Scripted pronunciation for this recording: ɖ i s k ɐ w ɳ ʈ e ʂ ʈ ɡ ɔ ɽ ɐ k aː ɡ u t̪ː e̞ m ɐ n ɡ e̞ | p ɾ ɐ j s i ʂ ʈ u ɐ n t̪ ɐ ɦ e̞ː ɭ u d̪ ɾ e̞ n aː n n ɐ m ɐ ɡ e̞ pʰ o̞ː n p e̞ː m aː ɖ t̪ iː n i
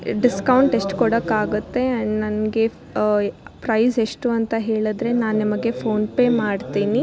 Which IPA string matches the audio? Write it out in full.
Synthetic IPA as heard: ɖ i s k ɐ w ɳ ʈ e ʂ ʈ k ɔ ɽ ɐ k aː ɡ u t̪ː e̞ n ɐ n ɡ e̞ | p ɾ ɐ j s e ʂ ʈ u ɐ n t̪ ɐ ɦ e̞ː ɭ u d̪ ɾ e̞ n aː n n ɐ m ɐ ɡ e̞ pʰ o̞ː n p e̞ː m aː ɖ t̪ iː n i